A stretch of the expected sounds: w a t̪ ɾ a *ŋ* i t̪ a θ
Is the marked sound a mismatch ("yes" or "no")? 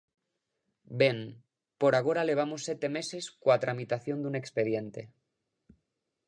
yes